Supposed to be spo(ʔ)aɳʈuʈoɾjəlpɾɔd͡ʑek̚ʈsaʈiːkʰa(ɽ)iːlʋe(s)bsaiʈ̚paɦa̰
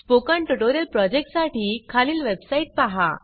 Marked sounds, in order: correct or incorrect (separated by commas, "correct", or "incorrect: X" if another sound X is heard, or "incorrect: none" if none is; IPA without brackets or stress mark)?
incorrect: k, incorrect: l, incorrect: none